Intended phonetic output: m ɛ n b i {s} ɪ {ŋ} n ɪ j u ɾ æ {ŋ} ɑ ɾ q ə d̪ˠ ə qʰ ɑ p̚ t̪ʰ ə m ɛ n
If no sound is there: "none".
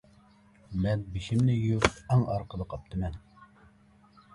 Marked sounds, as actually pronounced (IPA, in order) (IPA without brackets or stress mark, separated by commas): ʃ, m, ŋ